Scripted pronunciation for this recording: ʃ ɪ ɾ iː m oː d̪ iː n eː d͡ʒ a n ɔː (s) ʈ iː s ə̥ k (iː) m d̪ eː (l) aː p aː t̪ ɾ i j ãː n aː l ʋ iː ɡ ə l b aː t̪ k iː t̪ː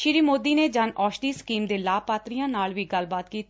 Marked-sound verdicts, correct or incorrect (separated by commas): incorrect, correct, correct